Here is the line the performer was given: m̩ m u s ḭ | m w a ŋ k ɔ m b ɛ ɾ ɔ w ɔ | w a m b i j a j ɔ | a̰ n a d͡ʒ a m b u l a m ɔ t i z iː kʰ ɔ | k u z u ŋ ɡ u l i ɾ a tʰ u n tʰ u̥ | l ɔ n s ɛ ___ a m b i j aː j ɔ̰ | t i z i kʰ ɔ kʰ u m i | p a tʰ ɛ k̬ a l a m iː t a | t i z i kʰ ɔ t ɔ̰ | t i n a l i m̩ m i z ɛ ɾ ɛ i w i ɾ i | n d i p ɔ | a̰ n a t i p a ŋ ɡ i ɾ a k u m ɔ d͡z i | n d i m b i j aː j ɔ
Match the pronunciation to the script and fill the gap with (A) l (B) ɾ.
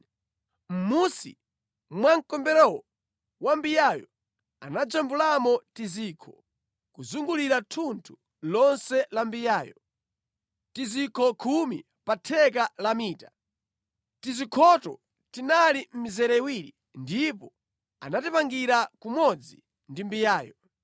A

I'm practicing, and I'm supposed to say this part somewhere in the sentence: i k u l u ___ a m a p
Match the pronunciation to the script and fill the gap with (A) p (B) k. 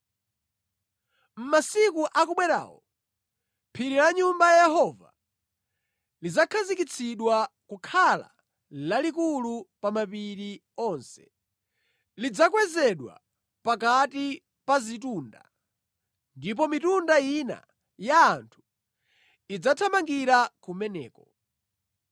A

